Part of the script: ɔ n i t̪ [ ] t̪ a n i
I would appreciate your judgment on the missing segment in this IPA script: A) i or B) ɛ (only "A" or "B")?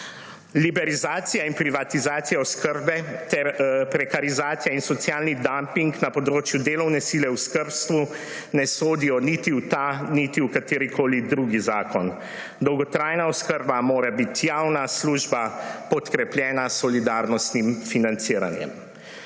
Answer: A